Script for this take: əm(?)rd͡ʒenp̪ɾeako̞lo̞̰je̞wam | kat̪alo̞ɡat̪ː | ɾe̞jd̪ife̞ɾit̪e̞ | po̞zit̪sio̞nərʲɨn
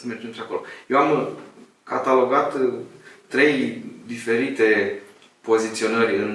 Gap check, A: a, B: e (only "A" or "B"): B